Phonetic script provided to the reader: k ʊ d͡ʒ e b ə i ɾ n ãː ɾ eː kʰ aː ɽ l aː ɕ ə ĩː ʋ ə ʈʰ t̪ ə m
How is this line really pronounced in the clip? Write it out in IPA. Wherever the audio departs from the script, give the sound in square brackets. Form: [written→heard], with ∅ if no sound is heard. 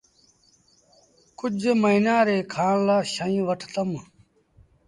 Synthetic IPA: k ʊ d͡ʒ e [b→m] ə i [ɾ→∅] n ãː ɾ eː kʰ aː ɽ l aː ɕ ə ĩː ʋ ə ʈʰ t̪ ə m